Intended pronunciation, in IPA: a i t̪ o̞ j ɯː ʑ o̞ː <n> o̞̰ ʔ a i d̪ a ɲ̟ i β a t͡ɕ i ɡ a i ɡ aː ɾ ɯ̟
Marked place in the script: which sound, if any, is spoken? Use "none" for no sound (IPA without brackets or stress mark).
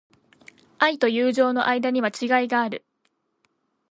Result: n